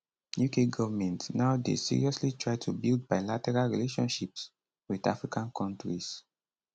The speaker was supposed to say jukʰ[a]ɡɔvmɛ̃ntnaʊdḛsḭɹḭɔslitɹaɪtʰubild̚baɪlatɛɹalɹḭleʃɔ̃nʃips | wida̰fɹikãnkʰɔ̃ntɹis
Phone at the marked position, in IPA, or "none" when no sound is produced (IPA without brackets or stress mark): e